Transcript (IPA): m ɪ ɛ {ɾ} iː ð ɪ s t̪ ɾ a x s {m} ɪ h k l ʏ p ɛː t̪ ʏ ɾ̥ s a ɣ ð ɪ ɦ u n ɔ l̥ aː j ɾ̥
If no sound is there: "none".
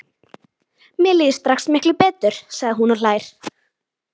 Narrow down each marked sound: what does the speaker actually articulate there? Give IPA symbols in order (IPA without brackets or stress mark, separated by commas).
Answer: l, m